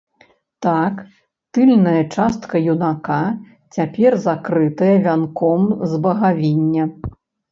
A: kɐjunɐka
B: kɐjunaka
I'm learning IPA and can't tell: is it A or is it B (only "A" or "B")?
B